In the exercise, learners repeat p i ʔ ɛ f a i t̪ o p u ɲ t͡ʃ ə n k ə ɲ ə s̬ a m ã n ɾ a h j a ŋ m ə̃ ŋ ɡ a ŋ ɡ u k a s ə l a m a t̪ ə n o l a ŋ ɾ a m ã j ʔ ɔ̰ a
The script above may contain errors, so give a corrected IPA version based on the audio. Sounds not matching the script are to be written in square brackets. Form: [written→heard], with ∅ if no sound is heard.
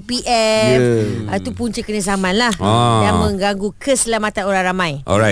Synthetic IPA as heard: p i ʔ ɛ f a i t̪ [o→u] p u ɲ t͡ʃ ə [n→∅] k ə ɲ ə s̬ a m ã n [ɾ→l] a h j a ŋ m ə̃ ŋ ɡ a ŋ ɡ u k [a→ə] s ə l a m a t̪ [ə→a] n o [l→ɾ] a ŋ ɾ a m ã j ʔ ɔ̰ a